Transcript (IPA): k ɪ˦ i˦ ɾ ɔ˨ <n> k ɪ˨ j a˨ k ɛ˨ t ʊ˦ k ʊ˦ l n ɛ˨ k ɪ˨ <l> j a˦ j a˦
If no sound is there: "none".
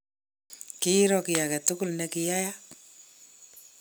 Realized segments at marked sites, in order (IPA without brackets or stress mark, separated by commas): none, none